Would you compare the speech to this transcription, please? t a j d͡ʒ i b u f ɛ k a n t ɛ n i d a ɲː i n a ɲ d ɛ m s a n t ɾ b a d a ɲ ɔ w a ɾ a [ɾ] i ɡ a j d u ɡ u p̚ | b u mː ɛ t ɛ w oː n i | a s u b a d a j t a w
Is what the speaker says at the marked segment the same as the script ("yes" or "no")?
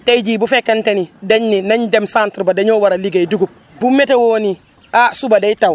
no